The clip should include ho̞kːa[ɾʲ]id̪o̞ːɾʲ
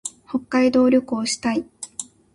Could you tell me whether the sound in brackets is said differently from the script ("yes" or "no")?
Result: yes